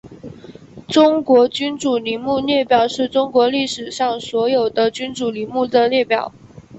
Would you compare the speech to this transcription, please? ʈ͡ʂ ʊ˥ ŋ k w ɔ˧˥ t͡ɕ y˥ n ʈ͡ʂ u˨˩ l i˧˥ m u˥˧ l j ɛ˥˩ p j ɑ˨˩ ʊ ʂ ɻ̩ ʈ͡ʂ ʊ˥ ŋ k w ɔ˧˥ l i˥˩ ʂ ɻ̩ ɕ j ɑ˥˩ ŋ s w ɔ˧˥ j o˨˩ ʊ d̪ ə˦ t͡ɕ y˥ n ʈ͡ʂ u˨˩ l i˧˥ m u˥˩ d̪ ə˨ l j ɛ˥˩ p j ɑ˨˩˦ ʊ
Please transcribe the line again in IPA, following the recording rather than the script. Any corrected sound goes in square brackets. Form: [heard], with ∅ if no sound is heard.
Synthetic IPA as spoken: ʈ͡ʂ ʊ˥ ŋ k w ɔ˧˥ t͡ɕ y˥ n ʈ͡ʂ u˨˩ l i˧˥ m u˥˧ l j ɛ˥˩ p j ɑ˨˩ ʊ ʂ ɻ̩ ʈ͡ʂ ʊ˥ ŋ k w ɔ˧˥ l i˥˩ ʂ ɻ̩ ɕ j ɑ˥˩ ŋ s w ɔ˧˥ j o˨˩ ʊ d̪ ə˦ t͡ɕ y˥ n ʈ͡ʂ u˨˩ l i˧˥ m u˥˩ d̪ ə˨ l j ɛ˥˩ p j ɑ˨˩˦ ʊ

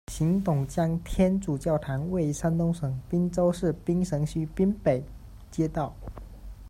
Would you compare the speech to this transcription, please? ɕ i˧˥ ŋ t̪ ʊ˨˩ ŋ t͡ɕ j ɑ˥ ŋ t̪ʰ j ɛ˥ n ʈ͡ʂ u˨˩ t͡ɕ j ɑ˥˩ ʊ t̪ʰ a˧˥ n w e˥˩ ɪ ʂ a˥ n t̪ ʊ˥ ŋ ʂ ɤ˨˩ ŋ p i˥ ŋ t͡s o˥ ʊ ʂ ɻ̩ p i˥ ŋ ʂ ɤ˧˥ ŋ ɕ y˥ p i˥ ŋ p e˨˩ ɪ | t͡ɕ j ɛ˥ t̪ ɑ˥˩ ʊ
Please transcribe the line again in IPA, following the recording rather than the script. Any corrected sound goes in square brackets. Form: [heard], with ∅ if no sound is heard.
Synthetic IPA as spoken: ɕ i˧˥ ŋ t̪ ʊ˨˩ ŋ t͡ɕ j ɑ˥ ŋ t̪ʰ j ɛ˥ n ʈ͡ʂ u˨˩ t͡ɕ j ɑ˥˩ ʊ t̪ʰ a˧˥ n w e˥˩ ɪ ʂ a˥ n t̪ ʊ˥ ŋ ʂ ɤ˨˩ ŋ p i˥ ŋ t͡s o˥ ʊ ʂ ɻ̩ p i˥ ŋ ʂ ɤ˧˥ ŋ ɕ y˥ p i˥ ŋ p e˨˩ ɪ | t͡ɕ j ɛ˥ t̪ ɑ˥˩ ʊ

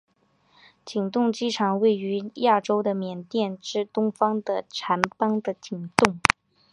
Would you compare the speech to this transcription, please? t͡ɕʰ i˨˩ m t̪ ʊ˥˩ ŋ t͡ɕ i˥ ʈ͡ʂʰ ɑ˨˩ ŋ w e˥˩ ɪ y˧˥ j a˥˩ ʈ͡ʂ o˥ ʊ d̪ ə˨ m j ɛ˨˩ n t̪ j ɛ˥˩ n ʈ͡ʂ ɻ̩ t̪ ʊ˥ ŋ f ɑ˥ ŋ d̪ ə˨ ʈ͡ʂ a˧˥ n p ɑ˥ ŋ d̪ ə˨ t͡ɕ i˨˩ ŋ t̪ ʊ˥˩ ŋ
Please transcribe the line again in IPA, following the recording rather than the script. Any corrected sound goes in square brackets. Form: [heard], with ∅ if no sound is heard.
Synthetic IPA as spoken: [t͡ɕ] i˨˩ [ŋ] t̪ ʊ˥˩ ŋ t͡ɕ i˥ ʈ͡ʂʰ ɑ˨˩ ŋ w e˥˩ ɪ y˧˥ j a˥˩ ʈ͡ʂ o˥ ʊ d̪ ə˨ m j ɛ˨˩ n t̪ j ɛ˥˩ n ʈ͡ʂ ɻ̩ t̪ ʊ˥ ŋ f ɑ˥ ŋ d̪ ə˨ [ʈ͡ʂʰ] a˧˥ n p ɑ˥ ŋ d̪ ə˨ t͡ɕ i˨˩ ŋ t̪ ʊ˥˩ ŋ

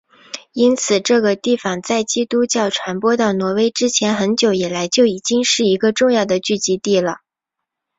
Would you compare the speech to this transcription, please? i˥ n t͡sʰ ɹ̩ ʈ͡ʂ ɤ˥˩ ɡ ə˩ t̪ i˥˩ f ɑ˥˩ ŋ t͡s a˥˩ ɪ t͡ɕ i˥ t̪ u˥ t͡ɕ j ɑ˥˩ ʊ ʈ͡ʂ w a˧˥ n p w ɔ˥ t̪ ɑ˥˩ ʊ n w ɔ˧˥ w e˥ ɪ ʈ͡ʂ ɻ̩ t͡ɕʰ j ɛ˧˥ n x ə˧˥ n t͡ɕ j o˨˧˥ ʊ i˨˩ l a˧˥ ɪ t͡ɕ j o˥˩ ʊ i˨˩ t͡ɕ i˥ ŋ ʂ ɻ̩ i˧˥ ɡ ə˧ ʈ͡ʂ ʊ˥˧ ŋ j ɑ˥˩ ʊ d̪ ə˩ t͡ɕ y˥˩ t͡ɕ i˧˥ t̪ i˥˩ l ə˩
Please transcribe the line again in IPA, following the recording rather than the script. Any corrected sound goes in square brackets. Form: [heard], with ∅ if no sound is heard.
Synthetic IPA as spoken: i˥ n t͡sʰ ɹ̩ ʈ͡ʂ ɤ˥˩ ɡ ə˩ t̪ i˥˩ f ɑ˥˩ ŋ t͡s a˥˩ ɪ t͡ɕ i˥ t̪ u˥ t͡ɕ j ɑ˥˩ ʊ [ʈ͡ʂʰ] w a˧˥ n p w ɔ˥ t̪ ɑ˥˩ ʊ n w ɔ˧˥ w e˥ ɪ ʈ͡ʂ ɻ̩ t͡ɕʰ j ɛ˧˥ n x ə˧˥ n t͡ɕ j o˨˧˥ ʊ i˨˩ l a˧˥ ɪ t͡ɕ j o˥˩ ʊ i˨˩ t͡ɕ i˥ ŋ ʂ ɻ̩ i˧˥ ɡ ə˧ ʈ͡ʂ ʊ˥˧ ŋ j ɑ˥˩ ʊ d̪ ə˩ t͡ɕ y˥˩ t͡ɕ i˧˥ t̪ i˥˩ l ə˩

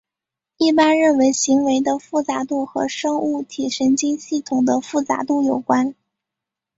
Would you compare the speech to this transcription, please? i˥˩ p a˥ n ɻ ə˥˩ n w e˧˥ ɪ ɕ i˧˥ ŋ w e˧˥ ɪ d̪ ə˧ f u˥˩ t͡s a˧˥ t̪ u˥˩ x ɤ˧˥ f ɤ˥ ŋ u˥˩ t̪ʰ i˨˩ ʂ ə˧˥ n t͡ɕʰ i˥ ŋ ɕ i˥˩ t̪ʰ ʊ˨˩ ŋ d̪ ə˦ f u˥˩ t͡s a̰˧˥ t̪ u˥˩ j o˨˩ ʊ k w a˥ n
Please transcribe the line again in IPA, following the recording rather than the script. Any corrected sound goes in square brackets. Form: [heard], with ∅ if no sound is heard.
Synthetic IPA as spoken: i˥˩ p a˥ n ɻ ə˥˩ n w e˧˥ ɪ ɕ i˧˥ ŋ w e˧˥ ɪ d̪ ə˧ f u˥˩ t͡s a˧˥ t̪ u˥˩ x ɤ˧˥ [ʂ] ɤ˥ ŋ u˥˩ t̪ʰ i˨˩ ʂ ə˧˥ n [t͡ɕ] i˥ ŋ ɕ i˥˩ t̪ʰ ʊ˨˩ ŋ d̪ ə˦ f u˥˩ t͡s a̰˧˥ t̪ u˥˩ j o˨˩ ʊ k w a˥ n

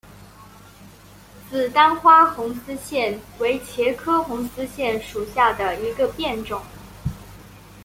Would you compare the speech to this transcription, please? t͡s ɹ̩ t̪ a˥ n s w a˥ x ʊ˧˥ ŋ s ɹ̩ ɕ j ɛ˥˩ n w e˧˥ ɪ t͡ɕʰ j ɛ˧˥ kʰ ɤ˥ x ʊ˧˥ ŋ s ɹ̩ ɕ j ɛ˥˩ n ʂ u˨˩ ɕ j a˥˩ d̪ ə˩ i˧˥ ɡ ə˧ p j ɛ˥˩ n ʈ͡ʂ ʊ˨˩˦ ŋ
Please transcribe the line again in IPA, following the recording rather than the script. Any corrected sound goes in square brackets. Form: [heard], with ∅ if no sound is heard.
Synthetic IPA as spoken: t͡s ɹ̩ t̪ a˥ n [x] w a˥ x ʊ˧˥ ŋ s ɹ̩ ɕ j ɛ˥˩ n w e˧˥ ɪ t͡ɕʰ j ɛ˧˥ kʰ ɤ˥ x ʊ˧˥ ŋ s ɹ̩ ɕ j ɛ˥˩ n ʂ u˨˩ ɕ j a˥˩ d̪ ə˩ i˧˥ ɡ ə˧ p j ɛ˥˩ n ʈ͡ʂ ʊ˨˩˦ ŋ

